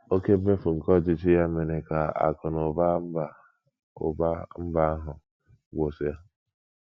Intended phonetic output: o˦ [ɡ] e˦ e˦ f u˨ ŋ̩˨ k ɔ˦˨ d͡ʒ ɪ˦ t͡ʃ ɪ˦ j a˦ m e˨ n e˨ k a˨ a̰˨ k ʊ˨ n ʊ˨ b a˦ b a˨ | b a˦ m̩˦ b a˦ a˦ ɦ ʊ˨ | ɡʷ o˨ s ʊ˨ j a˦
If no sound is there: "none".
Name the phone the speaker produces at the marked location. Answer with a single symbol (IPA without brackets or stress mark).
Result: k